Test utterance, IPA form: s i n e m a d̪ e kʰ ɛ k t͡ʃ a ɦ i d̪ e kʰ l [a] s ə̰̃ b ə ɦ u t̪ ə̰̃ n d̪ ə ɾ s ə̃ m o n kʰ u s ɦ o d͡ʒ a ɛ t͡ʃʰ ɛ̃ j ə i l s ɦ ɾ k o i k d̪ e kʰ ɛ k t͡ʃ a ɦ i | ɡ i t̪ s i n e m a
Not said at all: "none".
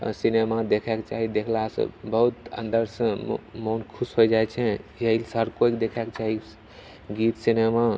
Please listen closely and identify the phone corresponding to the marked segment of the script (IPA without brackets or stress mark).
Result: a